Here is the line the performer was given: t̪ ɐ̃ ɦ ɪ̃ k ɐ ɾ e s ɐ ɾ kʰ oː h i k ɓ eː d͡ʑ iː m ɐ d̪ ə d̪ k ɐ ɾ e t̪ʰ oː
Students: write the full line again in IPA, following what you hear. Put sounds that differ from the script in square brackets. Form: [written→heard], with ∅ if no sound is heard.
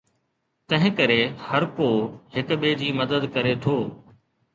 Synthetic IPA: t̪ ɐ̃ ɦ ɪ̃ k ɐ ɾ e [s→h] ɐ ɾ [kʰ→k] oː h [i→ɪ] k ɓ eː d͡ʑ iː m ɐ d̪ ə d̪ k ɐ ɾ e t̪ʰ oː